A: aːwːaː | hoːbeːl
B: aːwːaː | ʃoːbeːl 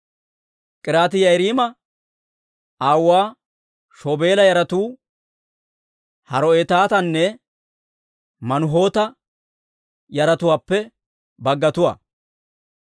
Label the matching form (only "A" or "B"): B